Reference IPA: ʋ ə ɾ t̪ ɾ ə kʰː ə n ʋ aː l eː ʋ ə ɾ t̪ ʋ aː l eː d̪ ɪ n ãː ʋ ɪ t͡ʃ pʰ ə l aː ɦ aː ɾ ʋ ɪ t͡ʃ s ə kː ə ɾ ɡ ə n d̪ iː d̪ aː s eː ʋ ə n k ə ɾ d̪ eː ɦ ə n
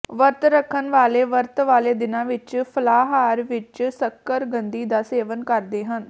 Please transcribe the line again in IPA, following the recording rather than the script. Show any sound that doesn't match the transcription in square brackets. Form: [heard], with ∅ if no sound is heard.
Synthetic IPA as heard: ʋ ə ɾ t̪ ɾ ə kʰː ə n ʋ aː l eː ʋ ə ɾ t̪ ʋ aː l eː d̪ ɪ n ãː ʋ ɪ t͡ʃ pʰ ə l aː ɦ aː ɾ ʋ ɪ t͡ʃ s ə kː ə ɾ ɡ ə n d̪ iː d̪ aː s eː ʋ ə n k ə ɾ d̪ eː ɦ ə n